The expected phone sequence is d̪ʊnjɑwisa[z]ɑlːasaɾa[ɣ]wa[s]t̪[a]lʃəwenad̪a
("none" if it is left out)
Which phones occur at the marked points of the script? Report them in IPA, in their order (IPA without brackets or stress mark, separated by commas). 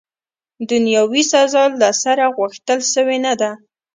z, ɣ, x, ə